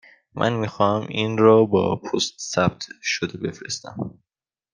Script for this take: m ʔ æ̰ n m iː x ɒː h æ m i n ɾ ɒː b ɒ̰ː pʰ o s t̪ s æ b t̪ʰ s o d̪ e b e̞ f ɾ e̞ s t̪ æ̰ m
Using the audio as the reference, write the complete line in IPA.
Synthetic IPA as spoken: m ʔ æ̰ n m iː x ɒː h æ m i n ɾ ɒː b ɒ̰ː pʰ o s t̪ s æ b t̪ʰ ʃ o d̪ e b e̞ f ɾ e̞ s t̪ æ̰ m